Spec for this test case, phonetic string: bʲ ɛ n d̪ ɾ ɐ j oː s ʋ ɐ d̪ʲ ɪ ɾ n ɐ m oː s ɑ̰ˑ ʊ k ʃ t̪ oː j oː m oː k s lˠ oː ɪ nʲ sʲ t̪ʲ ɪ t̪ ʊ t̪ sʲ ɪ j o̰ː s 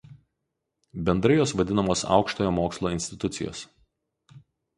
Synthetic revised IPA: bʲ ɛ n d̪ ɾ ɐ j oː s ʋ ɐ d̪ʲ ɪ n ɐ m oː s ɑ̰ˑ ʊ k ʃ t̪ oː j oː m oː k s lˠ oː ɪ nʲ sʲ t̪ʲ ɪ t̪ ʊ t̪ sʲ ɪ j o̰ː s